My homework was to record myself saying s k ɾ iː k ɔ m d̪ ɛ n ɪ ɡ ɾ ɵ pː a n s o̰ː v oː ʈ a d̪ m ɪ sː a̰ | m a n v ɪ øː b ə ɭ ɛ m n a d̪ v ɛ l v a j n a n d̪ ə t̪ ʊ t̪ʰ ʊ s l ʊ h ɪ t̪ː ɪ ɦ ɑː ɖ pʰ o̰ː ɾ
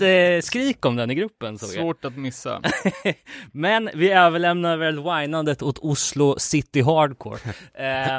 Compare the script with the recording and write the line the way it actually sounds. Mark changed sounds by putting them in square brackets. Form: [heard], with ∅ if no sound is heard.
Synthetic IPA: s k ɾ iː k ɔ m d̪ ɛ n ɪ ɡ ɾ ɵ pː [ə] n s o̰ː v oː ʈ a [t̪] m ɪ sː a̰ | m [ɛ] n v ɪ øː [v] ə ɭ ɛ m n a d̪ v ɛ l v a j n a n d̪ ə t̪ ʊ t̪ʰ ʊ s l ʊ [s] ɪ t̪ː ɪ ɦ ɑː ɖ [kʰ] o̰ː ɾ